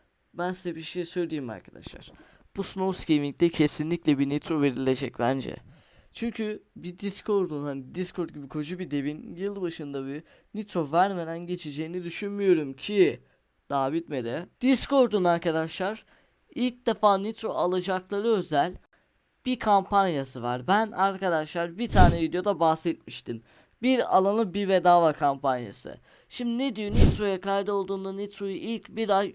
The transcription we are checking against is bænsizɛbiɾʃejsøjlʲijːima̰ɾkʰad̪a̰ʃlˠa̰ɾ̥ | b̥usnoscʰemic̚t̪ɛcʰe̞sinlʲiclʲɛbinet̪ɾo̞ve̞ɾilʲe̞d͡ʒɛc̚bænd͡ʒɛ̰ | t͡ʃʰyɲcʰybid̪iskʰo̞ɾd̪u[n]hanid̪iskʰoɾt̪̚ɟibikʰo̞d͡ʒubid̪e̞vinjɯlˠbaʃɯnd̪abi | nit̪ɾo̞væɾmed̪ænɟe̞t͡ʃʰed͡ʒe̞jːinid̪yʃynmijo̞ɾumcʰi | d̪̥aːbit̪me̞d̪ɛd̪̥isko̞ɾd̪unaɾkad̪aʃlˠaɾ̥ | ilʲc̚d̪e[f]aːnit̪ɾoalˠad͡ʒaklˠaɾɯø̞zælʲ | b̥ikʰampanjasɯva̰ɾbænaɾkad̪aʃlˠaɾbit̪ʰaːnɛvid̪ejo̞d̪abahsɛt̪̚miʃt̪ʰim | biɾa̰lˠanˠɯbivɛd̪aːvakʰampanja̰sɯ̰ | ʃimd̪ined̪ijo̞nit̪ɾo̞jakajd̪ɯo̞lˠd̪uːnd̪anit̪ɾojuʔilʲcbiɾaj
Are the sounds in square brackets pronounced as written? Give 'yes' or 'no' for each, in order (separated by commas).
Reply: yes, yes